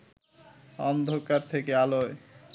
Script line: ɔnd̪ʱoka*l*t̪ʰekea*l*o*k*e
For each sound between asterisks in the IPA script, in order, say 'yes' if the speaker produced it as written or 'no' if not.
no, yes, no

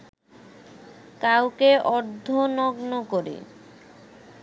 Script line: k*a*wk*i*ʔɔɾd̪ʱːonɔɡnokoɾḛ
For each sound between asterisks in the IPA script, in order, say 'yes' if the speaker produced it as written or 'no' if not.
yes, no

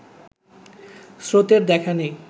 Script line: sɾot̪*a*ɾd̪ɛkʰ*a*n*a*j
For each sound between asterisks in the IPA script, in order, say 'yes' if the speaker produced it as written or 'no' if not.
no, yes, no

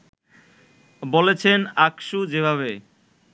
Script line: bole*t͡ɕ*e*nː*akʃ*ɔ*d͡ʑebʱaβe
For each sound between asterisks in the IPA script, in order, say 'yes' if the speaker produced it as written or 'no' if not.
no, no, no

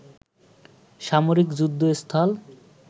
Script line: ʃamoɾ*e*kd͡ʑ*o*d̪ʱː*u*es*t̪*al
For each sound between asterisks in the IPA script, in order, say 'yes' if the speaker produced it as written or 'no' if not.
no, no, no, no

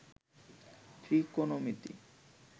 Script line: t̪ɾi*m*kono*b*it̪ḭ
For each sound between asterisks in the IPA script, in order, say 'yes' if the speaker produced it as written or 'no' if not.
no, no

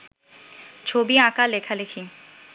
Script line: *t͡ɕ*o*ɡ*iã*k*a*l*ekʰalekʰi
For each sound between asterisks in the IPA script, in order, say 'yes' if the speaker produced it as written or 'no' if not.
no, no, yes, yes

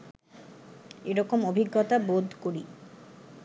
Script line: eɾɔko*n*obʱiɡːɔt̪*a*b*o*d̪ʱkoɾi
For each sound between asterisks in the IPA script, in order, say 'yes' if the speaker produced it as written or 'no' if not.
no, yes, yes

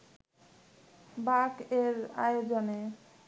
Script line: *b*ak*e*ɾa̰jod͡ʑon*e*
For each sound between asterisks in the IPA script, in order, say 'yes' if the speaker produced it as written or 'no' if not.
yes, yes, yes

